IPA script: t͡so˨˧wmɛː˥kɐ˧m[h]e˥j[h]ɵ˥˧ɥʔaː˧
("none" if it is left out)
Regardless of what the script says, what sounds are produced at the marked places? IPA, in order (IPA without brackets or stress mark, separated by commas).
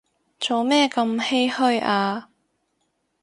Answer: h, h